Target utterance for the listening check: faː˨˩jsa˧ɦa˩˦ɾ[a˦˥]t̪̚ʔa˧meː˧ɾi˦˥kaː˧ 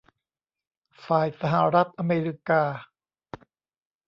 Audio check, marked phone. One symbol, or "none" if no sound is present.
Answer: a˦˥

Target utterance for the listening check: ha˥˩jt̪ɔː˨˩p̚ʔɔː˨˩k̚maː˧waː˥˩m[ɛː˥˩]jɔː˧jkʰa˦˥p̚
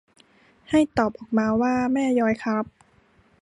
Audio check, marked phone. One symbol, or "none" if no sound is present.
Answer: ɛː˥˩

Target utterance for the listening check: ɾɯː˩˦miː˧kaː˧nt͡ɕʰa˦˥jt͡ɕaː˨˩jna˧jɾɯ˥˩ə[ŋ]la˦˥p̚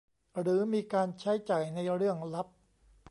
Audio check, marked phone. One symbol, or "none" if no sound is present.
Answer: ŋ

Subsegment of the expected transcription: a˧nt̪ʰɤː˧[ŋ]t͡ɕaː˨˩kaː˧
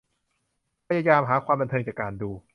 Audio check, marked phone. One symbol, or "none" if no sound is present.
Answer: ŋ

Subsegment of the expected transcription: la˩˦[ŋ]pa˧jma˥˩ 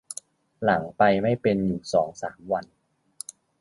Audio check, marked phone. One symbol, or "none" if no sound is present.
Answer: ŋ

